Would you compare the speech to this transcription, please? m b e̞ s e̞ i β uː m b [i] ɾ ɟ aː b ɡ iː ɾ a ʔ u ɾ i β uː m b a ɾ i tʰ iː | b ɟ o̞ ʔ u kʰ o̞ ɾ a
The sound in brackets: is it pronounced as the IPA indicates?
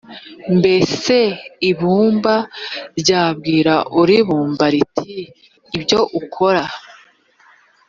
no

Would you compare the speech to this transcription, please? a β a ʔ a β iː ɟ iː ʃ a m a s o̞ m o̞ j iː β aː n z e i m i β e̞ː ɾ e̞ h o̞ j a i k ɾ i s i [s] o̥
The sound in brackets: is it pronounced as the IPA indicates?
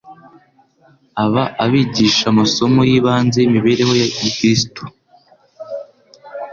no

